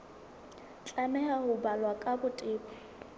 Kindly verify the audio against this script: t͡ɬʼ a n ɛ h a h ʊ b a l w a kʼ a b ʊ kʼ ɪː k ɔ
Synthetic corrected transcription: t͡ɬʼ a m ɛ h a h ʊ b a l w a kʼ a b ʊ tʼ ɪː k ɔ